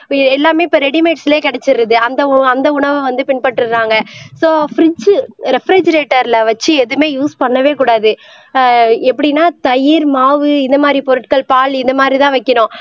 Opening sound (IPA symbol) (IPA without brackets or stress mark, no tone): ɛ